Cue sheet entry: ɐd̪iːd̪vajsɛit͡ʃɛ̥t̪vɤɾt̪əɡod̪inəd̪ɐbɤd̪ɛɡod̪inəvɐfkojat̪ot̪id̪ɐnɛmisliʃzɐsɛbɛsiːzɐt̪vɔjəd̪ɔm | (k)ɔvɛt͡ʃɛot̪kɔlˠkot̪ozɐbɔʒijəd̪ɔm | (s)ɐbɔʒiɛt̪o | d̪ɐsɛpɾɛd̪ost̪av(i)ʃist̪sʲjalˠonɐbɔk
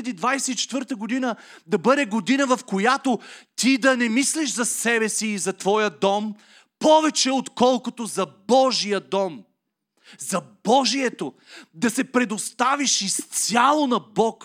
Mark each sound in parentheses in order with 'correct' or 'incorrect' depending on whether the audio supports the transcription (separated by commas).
incorrect, incorrect, correct